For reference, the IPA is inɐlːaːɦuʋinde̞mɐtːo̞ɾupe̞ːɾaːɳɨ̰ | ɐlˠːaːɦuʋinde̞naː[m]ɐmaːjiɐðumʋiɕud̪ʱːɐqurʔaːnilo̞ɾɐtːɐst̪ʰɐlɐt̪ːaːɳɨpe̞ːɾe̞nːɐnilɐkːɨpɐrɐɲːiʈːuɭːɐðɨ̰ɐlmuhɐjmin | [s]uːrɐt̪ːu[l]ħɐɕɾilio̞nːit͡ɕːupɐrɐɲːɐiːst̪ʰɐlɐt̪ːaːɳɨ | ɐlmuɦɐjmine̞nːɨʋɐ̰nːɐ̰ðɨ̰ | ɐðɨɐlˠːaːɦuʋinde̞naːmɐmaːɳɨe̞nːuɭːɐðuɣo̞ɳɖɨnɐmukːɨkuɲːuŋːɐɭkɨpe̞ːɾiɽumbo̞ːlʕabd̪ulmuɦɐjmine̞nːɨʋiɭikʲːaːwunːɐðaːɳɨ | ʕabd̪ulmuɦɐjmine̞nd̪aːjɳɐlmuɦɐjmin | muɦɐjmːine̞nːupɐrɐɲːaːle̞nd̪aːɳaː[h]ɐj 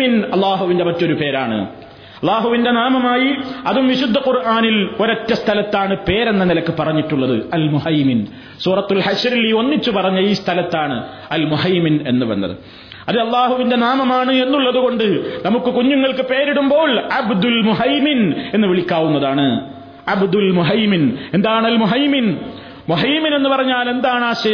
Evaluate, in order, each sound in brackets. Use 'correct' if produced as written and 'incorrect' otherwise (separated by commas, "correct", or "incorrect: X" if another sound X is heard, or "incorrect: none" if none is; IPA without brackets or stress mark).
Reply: correct, correct, correct, incorrect: ɕ